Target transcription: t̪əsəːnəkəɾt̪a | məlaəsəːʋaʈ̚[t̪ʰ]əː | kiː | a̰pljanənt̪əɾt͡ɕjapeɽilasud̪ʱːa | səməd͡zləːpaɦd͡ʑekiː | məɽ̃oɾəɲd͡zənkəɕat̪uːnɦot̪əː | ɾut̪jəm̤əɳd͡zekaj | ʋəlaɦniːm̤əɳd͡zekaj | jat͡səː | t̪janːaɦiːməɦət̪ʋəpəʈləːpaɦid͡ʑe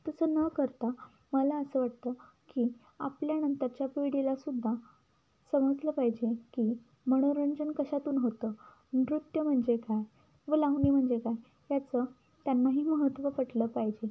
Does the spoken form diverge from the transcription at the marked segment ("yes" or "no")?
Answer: yes